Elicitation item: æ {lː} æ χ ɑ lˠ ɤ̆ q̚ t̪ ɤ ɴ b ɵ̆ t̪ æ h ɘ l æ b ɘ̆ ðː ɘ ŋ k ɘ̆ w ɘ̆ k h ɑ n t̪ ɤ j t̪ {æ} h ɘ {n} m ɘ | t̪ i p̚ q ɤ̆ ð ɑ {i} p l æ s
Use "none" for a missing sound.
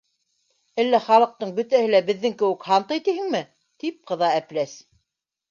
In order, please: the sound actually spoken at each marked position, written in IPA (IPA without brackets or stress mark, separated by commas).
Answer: lː, i, ŋ, æ